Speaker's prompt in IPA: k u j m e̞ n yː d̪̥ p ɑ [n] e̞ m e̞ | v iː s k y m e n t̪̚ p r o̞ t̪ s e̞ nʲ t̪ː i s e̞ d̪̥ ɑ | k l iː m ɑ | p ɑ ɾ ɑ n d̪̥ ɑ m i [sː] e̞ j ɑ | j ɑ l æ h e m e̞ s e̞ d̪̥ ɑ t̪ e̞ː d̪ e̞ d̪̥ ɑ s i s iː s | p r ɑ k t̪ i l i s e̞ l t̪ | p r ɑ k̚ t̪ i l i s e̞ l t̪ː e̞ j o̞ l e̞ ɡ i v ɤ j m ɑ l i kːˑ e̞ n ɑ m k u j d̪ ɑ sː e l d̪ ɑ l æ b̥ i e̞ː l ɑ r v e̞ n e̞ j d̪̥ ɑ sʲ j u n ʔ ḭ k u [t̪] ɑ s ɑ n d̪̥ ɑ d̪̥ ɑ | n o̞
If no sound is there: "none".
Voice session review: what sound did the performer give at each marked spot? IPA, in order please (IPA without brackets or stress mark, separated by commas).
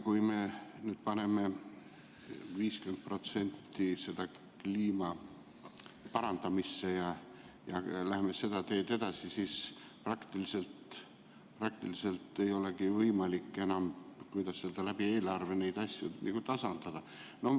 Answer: n, sː, t̪